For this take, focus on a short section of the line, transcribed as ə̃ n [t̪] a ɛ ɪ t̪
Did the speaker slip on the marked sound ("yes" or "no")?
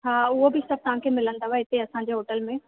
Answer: yes